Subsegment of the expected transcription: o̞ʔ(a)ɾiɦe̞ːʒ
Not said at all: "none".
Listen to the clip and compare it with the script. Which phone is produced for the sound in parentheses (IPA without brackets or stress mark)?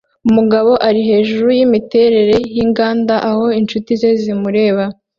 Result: a